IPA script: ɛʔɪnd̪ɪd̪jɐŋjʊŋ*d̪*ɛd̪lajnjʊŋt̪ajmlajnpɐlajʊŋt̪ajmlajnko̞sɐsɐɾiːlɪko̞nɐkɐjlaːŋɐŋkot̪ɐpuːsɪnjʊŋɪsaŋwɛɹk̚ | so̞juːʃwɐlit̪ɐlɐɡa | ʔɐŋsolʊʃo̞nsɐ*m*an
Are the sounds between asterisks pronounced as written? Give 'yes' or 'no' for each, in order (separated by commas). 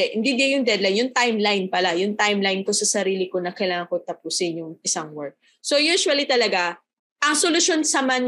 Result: yes, yes